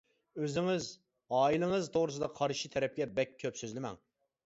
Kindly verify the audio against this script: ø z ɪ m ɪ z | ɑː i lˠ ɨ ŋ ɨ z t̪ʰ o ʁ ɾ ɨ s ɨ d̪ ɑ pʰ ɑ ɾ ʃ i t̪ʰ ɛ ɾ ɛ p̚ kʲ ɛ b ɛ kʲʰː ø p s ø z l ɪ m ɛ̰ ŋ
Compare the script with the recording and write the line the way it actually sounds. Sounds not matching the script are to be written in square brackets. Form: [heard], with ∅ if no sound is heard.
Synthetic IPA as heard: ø z ɪ [ŋ] ɪ z | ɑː i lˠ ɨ ŋ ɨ z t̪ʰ o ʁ ɾ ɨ s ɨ d̪ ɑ [qʰ] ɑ ɾ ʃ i t̪ʰ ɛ ɾ ɛ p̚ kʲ ɛ b ɛ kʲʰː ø p s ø z l ɪ m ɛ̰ ŋ

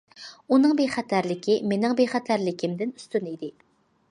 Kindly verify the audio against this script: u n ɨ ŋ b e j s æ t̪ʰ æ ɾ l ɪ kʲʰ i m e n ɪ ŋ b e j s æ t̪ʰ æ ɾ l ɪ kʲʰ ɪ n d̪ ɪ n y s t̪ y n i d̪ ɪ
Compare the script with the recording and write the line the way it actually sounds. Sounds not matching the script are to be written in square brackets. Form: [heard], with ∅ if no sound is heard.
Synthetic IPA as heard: u n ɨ ŋ b e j [χ] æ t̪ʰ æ ɾ l ɪ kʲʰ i m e n ɪ ŋ b e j [χ] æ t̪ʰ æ ɾ l ɪ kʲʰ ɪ [m] d̪ ɪ n y s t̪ y n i d̪ ɪ

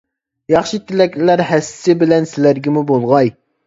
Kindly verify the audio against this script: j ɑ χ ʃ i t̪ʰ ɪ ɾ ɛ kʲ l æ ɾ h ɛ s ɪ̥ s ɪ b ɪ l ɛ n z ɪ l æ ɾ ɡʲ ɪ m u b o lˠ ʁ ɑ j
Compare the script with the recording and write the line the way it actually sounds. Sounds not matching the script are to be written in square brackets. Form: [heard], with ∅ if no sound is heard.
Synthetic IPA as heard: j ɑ χ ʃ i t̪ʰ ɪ [l] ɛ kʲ l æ ɾ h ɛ s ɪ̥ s ɪ b ɪ l ɛ n [s] ɪ l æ ɾ ɡʲ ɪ m u b o lˠ ʁ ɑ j

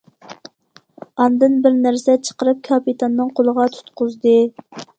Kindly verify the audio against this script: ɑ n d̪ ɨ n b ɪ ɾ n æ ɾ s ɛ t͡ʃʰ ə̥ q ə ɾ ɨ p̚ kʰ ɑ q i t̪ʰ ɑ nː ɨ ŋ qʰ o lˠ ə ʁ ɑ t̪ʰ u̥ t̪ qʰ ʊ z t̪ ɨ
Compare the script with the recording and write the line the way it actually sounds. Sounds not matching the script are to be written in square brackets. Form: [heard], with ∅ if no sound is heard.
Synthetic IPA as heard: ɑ n d̪ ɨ n b ɪ ɾ n æ ɾ s ɛ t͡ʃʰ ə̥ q ə ɾ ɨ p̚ kʰ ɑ [p] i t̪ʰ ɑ nː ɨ ŋ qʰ o lˠ ə ʁ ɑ t̪ʰ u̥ t̪ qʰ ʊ z [d̪] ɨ

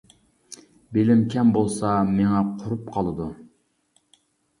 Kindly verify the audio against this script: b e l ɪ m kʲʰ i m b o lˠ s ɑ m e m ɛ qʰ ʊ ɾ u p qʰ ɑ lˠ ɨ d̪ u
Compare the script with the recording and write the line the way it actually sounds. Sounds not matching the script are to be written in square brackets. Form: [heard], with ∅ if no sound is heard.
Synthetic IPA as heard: b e l ɪ m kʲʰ [ɛ] m b o lˠ s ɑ m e [ŋ] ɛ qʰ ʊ ɾ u p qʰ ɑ lˠ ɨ d̪ u

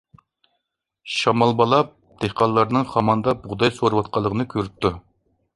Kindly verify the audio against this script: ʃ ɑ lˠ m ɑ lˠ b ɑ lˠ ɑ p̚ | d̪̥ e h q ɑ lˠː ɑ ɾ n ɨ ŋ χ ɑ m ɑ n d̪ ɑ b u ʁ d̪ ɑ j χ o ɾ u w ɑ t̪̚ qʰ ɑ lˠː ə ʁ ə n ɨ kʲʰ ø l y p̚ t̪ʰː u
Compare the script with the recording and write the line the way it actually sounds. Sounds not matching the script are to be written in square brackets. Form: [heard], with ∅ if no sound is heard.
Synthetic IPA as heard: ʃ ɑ [∅] m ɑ lˠ b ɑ lˠ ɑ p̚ | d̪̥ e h q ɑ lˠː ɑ ɾ n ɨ ŋ χ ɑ m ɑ n d̪ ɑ b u ʁ d̪ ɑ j [s] o ɾ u w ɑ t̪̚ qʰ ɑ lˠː ə ʁ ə n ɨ kʲʰ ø [ɾ] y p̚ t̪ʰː u

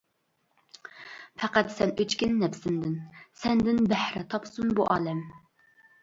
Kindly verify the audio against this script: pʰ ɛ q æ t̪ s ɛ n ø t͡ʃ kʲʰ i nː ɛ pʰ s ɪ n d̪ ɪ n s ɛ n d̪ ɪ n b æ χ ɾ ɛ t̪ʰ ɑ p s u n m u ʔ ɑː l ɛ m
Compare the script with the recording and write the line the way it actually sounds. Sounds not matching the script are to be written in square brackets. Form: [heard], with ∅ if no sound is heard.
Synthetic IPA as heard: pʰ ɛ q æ t̪ s ɛ n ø t͡ʃ [kʲ] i nː ɛ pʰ s ɪ n d̪ ɪ n s ɛ n d̪ ɪ n b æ [h] ɾ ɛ t̪ʰ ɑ p s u n [b] u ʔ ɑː l ɛ m

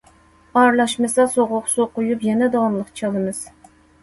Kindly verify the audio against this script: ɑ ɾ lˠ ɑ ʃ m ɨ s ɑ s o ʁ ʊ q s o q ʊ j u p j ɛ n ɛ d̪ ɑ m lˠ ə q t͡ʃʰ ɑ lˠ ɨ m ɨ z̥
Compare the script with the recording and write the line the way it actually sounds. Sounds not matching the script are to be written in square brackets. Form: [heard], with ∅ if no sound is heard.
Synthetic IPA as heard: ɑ ɾ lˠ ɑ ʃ m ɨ s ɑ s o ʁ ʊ q s o q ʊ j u p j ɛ n ɛ d̪ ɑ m lˠ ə q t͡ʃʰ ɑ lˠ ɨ m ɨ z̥

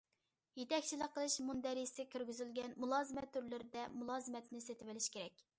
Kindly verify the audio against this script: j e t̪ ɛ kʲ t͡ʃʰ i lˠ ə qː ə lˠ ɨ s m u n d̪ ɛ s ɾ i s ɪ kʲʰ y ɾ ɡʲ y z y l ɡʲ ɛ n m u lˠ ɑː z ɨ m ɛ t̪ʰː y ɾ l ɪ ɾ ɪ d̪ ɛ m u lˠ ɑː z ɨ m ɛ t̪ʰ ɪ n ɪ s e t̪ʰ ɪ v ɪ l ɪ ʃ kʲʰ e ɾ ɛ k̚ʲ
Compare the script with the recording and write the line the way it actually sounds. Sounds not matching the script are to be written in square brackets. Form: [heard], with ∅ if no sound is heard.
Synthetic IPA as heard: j e t̪ ɛ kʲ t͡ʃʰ i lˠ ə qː ə lˠ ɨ [ʃ] m u n d̪ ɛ [∅] ɾ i s ɪ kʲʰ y ɾ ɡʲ y z y l ɡʲ ɛ n m u lˠ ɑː z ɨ m ɛ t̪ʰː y ɾ l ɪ ɾ ɪ d̪ ɛ m u lˠ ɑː z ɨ m ɛ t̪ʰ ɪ n ɪ s e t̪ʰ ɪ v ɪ l ɪ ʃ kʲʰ e ɾ ɛ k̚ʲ

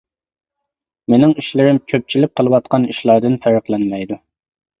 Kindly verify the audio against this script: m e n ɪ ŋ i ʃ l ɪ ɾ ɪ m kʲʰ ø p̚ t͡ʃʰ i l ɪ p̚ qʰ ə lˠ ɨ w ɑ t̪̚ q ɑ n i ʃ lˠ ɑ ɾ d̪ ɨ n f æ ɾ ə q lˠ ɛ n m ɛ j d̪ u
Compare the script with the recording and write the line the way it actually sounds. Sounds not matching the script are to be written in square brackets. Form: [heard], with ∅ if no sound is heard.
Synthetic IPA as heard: m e n ɪ ŋ i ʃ l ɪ ɾ ɪ m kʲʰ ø p̚ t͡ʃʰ i l ɪ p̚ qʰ ə lˠ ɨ w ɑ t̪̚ q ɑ n i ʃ lˠ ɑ ɾ d̪ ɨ n f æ ɾ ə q lˠ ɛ n m ɛ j d̪ u

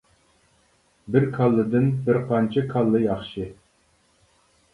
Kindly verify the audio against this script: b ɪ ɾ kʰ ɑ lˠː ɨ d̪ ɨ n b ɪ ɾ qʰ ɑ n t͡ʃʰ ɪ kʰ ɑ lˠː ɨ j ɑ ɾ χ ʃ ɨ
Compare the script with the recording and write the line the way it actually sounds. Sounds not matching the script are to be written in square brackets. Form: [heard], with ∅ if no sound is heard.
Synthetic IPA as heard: b ɪ ɾ kʰ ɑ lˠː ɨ d̪ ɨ n b ɪ ɾ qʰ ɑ n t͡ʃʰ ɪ kʰ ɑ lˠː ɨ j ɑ [∅] χ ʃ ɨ

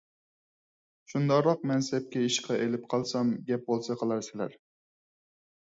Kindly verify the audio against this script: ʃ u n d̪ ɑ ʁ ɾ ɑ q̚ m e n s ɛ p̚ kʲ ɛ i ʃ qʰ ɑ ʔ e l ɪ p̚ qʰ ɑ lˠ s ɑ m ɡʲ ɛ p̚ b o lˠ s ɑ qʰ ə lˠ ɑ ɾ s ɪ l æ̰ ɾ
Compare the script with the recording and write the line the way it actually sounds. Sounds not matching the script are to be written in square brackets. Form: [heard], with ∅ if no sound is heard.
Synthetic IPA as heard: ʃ u n d̪ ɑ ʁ ɾ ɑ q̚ m [ɛ] n s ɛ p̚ kʲ ɛ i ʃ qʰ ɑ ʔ e l ɪ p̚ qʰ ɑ lˠ s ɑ m ɡʲ ɛ p̚ b o lˠ s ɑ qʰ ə lˠ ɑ ɾ s ɪ l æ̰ ɾ

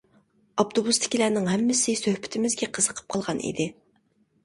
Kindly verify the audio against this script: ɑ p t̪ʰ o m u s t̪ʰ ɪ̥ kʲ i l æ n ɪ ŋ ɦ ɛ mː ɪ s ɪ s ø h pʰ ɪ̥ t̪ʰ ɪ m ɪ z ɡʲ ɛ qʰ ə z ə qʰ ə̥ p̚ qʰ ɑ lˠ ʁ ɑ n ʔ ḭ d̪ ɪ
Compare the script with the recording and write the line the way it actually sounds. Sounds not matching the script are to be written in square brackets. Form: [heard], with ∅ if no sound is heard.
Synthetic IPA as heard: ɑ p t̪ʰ o [b] u s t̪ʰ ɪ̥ kʲ i l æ n ɪ ŋ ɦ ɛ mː ɪ s ɪ s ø h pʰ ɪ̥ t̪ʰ ɪ m ɪ z ɡʲ ɛ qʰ ə z ə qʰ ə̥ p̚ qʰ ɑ lˠ ʁ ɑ n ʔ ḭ d̪ ɪ

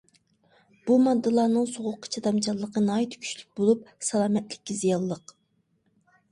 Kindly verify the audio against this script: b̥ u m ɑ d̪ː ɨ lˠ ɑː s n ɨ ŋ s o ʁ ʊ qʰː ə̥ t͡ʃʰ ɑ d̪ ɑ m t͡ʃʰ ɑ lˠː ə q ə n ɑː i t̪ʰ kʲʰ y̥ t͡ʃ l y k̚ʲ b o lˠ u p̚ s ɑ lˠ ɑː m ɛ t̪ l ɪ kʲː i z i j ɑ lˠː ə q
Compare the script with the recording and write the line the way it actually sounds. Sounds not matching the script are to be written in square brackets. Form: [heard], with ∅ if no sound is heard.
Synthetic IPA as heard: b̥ u m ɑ d̪ː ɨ lˠ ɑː [∅] n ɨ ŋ s o ʁ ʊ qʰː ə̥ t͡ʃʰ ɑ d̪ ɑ m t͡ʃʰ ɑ lˠː ə q ə n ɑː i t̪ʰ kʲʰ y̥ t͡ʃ l y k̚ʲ b o lˠ u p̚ s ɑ lˠ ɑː m ɛ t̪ l ɪ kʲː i z i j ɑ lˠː ə q

